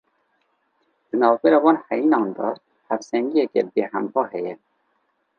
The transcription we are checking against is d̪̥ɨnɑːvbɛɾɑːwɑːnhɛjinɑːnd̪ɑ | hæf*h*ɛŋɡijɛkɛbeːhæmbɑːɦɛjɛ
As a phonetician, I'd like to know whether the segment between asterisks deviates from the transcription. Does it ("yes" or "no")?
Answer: yes